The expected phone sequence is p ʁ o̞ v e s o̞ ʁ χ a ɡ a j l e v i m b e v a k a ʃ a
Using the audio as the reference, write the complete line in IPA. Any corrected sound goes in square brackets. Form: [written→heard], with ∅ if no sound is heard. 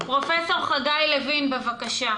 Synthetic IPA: p ʁ o̞ [v→f] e s o̞ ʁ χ a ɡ a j l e v i [m→n] b e v a k a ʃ a